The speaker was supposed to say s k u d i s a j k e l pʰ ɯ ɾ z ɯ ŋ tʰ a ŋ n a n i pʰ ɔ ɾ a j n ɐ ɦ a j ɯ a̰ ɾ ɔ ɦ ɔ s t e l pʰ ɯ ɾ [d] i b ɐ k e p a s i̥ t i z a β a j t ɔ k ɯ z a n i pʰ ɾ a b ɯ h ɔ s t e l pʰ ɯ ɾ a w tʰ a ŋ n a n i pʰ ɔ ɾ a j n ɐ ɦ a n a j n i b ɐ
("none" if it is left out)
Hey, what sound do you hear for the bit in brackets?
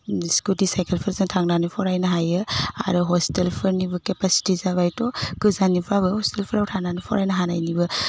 n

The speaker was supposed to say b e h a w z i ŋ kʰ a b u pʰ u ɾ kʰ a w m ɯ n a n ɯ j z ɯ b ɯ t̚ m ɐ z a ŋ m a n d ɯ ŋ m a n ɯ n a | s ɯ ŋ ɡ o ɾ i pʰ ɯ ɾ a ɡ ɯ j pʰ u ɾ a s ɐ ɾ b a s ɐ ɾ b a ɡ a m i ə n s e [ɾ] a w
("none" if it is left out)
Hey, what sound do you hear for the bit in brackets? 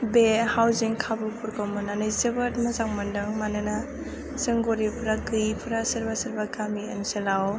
l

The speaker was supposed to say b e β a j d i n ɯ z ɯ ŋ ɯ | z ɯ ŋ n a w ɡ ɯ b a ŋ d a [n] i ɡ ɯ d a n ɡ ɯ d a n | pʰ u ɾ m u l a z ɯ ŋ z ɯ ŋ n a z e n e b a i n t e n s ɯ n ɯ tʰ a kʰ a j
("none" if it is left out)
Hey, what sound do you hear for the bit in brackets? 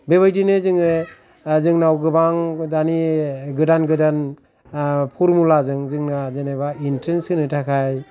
n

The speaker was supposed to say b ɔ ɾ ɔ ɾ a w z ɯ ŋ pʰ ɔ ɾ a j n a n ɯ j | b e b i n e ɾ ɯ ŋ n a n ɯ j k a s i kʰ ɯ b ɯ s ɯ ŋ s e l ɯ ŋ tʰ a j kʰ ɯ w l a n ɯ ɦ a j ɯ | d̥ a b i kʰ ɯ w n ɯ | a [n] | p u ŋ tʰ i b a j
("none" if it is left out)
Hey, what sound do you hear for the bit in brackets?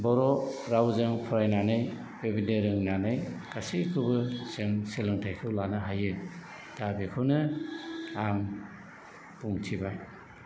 ŋ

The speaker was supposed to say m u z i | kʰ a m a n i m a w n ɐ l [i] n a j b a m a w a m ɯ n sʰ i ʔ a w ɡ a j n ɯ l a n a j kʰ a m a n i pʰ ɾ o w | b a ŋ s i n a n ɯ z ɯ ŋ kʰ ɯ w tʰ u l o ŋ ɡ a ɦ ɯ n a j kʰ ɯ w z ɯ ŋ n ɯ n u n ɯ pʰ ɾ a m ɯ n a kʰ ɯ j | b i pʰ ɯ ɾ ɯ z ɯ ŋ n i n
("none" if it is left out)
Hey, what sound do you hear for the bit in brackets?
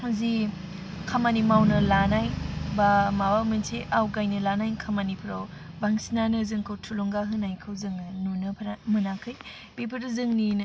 a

